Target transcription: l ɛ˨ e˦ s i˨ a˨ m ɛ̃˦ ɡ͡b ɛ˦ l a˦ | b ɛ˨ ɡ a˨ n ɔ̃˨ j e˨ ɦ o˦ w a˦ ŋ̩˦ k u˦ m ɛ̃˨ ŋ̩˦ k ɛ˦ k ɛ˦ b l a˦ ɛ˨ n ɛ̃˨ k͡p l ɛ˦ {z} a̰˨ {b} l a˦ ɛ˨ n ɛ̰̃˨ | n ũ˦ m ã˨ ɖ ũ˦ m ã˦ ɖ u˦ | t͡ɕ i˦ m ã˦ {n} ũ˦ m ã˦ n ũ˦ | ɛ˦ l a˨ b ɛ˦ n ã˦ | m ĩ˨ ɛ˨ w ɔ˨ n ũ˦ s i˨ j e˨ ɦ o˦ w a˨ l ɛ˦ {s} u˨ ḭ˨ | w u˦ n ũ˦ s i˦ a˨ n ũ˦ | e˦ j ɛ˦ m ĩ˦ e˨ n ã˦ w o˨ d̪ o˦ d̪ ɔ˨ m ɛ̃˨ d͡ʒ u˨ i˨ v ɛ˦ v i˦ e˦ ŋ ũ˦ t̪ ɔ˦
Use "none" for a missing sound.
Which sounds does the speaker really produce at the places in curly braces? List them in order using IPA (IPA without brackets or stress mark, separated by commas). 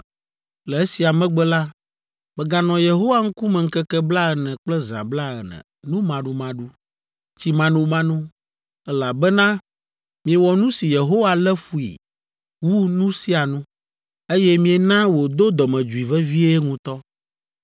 z, b, n, f